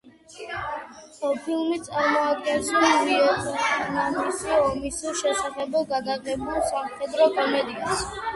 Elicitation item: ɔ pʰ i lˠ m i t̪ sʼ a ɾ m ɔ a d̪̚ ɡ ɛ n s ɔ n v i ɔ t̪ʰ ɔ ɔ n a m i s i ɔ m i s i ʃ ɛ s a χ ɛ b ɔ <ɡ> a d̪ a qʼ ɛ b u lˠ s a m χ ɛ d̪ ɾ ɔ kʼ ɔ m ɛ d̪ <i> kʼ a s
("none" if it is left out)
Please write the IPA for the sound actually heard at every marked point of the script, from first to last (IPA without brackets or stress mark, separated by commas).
ɡ, i